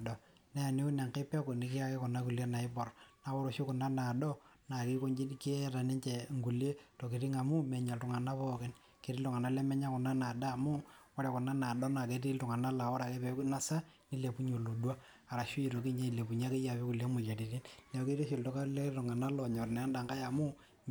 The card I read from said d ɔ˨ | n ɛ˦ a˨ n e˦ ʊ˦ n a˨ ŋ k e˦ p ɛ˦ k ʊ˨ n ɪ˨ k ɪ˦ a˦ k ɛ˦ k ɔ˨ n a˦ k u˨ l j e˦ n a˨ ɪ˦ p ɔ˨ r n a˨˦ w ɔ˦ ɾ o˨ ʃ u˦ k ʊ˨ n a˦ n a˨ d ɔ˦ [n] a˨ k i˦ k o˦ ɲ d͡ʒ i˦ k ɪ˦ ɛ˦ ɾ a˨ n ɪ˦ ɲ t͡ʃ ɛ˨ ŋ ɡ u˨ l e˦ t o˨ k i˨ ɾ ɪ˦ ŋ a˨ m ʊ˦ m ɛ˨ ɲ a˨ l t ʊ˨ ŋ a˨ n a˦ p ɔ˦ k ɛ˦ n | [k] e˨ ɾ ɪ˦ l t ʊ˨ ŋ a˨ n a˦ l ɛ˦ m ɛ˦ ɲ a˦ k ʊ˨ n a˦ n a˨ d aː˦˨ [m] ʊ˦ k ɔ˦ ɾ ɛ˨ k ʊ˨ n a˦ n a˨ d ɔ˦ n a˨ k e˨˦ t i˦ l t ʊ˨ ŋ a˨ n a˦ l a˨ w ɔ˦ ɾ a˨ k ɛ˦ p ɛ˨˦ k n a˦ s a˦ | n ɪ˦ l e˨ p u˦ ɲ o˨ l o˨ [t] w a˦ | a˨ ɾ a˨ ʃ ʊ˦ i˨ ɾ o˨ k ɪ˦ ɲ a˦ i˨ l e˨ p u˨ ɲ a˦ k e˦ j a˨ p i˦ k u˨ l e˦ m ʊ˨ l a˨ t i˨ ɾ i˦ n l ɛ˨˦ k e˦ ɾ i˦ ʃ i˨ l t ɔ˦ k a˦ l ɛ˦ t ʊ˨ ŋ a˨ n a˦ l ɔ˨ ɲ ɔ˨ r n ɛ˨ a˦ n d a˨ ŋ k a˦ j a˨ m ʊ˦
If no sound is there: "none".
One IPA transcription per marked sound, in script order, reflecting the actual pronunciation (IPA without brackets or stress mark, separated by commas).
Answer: n, k, m, d